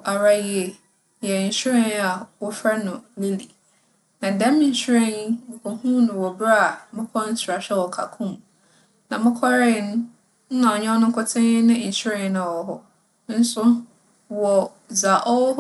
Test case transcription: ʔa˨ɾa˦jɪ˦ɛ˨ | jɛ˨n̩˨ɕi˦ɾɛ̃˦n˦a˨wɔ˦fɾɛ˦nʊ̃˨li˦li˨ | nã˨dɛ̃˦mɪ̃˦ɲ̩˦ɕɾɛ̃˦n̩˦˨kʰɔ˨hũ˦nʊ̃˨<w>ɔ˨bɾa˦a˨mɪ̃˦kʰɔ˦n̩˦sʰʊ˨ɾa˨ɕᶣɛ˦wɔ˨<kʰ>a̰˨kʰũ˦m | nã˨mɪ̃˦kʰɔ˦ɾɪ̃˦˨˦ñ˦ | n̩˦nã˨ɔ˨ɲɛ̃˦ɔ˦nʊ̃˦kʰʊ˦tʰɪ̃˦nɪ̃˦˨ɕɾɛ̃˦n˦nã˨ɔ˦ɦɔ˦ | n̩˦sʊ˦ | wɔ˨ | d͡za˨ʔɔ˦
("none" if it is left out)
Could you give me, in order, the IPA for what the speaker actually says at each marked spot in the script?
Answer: w, kʰ

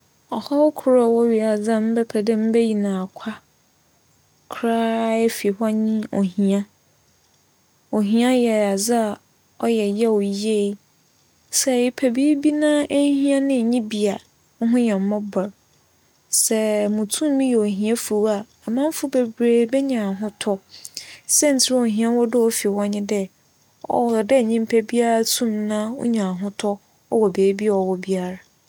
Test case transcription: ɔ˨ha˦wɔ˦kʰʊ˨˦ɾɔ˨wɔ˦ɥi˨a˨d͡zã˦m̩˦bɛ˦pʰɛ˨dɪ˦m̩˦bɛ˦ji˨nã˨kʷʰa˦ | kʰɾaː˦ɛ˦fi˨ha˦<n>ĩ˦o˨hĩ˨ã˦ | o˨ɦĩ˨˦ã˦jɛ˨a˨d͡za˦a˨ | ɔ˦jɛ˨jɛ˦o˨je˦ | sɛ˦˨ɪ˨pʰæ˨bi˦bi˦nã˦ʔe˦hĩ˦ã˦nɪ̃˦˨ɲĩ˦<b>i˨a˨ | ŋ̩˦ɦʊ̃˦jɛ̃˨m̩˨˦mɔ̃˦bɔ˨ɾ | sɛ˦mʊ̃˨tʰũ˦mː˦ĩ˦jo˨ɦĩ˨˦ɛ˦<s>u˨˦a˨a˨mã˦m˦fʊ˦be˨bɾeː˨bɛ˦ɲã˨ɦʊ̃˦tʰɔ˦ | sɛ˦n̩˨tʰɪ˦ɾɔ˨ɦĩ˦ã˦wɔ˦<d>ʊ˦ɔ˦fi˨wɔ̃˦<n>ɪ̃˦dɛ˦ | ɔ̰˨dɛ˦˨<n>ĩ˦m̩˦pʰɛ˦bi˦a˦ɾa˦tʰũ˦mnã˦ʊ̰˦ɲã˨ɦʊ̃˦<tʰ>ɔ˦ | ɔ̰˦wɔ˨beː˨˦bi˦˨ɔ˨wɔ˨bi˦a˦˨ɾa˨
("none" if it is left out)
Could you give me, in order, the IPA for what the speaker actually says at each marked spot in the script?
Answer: ɲ, b, f, d, ɲ, ɲ, tʰ

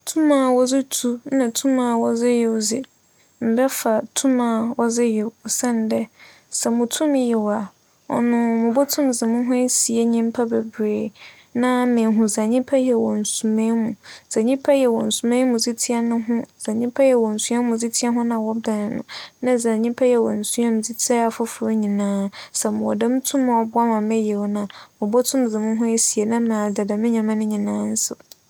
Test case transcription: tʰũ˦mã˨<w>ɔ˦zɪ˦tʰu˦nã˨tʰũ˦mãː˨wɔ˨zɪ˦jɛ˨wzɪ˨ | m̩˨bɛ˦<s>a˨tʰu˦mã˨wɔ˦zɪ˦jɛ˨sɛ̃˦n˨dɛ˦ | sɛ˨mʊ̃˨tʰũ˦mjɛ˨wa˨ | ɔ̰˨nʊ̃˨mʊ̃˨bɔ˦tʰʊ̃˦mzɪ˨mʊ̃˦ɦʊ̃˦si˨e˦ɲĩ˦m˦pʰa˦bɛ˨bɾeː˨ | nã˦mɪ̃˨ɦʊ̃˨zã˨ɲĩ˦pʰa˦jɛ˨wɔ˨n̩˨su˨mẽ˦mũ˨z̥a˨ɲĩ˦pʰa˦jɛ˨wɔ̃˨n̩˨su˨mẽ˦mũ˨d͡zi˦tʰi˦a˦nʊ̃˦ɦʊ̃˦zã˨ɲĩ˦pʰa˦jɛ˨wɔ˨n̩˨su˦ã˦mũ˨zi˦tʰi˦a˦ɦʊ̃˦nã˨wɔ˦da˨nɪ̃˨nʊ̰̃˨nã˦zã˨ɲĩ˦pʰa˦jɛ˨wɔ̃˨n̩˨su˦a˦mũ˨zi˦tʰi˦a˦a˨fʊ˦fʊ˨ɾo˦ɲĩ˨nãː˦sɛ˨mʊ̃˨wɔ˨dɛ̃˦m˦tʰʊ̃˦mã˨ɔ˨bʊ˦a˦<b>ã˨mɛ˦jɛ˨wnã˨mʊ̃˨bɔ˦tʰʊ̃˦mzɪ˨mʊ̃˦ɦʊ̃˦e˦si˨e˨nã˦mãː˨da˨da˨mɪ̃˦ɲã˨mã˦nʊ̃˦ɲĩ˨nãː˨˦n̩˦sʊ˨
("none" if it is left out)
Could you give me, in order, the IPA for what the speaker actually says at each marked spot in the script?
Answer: w, f, m

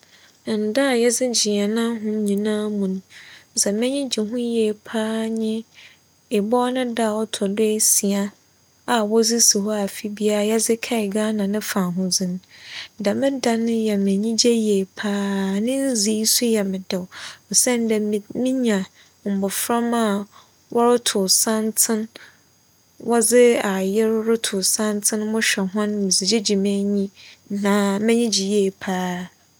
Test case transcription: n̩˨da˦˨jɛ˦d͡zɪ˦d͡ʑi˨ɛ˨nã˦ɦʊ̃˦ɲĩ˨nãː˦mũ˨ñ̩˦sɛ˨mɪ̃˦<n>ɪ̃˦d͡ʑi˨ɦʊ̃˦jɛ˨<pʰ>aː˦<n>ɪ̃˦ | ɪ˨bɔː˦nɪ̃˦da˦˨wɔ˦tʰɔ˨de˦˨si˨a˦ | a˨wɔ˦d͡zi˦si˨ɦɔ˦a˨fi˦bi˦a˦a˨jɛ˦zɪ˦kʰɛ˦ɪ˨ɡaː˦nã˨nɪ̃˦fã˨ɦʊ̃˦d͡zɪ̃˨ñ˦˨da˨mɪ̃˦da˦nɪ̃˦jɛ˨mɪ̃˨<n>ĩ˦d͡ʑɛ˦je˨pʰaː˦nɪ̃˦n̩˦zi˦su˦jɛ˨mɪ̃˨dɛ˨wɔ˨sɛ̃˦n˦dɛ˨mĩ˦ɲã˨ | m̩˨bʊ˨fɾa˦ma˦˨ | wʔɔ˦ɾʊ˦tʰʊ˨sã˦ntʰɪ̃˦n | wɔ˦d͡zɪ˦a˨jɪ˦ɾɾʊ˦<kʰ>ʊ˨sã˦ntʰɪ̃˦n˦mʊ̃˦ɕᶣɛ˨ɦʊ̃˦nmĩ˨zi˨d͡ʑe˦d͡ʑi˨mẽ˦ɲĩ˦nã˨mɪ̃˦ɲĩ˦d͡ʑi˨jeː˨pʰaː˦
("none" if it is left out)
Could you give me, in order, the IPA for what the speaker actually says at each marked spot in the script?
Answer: ɲ, pʰ, ɲ, ɲ, tʰ

